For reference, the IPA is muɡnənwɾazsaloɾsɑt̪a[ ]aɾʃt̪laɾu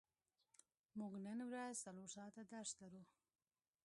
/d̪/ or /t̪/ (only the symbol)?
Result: d̪